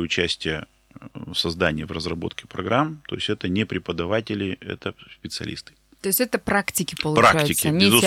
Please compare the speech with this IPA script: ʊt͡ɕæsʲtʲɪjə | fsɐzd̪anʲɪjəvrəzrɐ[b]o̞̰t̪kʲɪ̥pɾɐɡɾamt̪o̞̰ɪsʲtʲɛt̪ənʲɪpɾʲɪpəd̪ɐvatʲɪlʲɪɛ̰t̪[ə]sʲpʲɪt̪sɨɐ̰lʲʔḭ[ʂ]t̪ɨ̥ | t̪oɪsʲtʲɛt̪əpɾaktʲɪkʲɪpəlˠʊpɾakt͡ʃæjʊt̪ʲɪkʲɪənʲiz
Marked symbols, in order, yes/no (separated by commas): yes, yes, no